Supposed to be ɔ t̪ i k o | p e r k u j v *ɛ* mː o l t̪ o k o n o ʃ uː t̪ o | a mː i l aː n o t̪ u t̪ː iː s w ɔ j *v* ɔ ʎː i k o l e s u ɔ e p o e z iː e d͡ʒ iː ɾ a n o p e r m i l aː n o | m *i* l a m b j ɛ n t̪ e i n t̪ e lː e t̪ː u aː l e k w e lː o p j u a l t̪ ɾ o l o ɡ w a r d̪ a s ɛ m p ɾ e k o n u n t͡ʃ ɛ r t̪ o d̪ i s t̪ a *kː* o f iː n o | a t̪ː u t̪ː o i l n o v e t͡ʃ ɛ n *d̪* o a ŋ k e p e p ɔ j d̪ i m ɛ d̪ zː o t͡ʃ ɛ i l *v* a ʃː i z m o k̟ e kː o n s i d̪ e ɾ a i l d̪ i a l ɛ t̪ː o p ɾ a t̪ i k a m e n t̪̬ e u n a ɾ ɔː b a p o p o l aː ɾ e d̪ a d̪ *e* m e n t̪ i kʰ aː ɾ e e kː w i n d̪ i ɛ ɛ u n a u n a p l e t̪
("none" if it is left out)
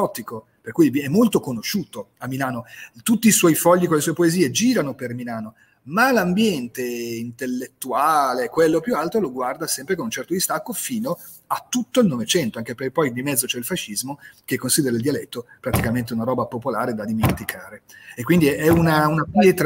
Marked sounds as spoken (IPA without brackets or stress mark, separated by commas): ɛ, f, a, kː, t̪, f, i